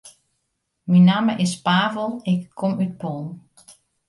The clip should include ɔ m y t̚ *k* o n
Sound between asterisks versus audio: incorrect: p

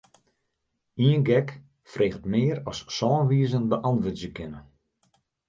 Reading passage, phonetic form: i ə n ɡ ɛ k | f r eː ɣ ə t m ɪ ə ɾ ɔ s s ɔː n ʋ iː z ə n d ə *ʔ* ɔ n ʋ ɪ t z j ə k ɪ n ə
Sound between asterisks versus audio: correct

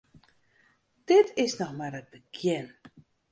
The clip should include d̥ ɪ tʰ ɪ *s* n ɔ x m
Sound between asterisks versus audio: correct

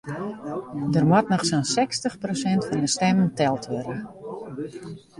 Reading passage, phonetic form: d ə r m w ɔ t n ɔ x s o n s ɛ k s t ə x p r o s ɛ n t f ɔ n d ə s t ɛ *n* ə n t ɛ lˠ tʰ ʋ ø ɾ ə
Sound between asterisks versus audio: incorrect: m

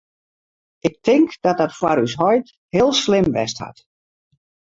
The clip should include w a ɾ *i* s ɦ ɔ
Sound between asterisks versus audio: incorrect: y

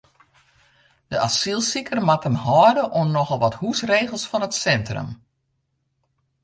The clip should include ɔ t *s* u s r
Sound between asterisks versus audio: incorrect: h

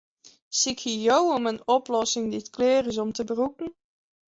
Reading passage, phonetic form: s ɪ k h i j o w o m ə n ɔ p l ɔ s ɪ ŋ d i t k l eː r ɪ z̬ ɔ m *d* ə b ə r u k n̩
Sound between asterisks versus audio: incorrect: t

